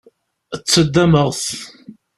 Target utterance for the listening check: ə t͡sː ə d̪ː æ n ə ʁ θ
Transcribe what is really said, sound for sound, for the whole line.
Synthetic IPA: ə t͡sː ə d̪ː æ m ə ʁ θ